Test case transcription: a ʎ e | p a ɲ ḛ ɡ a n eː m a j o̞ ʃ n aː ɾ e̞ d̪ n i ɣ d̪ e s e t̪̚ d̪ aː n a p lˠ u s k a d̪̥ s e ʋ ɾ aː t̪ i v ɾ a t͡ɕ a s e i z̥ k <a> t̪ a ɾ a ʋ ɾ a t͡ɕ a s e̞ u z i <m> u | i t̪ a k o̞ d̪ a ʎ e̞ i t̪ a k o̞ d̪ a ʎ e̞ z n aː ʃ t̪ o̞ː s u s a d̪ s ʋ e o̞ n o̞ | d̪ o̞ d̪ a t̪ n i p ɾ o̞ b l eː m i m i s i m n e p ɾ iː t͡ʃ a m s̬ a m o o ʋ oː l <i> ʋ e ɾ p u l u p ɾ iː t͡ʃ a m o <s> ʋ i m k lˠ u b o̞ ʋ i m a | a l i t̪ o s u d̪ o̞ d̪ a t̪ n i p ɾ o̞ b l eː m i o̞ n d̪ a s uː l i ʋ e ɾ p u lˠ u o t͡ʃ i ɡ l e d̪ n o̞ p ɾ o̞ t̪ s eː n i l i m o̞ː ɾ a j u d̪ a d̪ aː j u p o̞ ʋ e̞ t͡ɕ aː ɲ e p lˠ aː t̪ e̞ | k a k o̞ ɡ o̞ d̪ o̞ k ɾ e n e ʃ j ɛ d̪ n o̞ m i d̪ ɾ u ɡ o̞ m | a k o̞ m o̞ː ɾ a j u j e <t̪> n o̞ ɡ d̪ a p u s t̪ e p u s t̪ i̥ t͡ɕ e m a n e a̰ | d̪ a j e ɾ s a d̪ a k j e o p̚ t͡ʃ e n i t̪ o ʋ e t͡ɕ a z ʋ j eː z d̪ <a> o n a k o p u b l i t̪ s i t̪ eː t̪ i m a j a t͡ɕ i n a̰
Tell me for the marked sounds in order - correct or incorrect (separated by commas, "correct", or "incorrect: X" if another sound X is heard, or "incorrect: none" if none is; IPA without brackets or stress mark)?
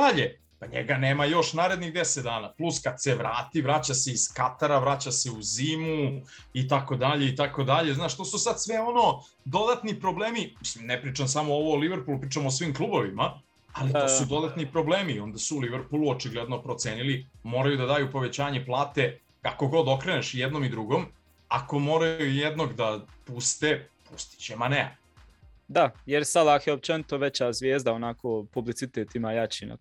correct, correct, correct, correct, incorrect: d̪, correct